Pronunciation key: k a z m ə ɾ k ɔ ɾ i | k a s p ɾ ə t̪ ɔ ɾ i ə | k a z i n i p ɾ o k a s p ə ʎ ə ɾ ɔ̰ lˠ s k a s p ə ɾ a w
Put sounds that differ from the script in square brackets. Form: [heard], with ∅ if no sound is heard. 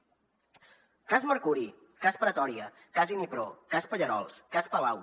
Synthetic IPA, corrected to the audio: k a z m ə ɾ k [u] ɾ i | k a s p ɾ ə t̪ ɔ ɾ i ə | k a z i n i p ɾ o k a s p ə ʎ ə ɾ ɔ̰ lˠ s k a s p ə [l] a w